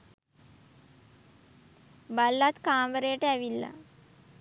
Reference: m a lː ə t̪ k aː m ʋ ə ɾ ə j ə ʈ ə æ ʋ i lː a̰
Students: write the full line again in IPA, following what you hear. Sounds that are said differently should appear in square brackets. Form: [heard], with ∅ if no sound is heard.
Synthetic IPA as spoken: [b] a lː [a] t̪ k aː m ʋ ə ɾ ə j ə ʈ ə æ ʋ i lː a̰